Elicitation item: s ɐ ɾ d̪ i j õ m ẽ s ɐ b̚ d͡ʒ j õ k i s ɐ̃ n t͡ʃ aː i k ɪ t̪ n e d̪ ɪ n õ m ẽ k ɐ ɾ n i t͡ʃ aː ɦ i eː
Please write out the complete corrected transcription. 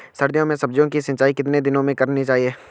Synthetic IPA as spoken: s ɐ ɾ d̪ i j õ m ẽ s ɐ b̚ d͡ʒ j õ k i s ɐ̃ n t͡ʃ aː i k ɪ t̪ n e d̪ ɪ n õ m ẽ k ɐ ɾ n i t͡ʃ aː ɦ i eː